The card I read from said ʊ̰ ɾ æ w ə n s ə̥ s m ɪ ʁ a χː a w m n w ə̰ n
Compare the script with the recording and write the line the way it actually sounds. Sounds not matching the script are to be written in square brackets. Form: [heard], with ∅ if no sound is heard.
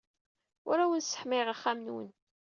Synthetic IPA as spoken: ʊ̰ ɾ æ w ə n s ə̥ [ħ] m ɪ ʁ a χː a [∅] m n w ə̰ n